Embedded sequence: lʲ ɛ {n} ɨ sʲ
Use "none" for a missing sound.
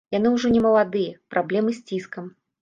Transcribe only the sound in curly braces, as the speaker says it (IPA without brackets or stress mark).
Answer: m